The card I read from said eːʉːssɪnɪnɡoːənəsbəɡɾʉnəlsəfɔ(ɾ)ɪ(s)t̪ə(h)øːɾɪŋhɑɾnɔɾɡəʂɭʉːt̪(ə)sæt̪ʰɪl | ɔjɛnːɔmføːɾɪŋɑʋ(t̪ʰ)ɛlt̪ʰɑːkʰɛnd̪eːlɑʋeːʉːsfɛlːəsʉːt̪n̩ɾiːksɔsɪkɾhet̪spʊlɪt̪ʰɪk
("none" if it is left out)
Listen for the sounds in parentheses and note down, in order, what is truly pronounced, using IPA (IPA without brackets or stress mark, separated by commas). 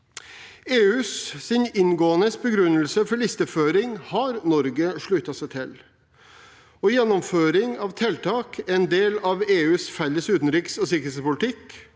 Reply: ɭ, s, f, ɑ, t̪ʰ